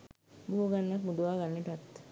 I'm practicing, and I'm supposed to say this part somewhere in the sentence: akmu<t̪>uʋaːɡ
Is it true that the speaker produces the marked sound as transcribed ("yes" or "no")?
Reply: no